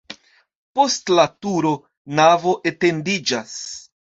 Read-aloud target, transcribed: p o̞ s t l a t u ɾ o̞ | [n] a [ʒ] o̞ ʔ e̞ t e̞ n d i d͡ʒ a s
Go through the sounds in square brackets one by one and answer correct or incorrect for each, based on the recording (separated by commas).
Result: correct, incorrect